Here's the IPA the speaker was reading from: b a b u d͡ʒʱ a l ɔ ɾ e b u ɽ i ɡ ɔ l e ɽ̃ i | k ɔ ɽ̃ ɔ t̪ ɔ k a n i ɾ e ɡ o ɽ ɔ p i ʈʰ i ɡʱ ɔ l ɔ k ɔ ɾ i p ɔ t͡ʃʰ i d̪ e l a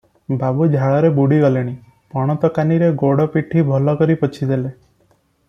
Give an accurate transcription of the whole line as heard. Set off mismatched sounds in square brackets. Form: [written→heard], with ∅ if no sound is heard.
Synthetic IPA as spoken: b a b u d͡ʒʱ a [l→ɭ] ɔ ɾ e b u ɽ i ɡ ɔ l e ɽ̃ i | [k→p] ɔ ɽ̃ ɔ t̪ ɔ k a n i ɾ e ɡ o ɽ ɔ p i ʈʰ i [ɡʱ→bʱ] ɔ l ɔ k ɔ ɾ i p ɔ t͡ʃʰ i d̪ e l [a→e]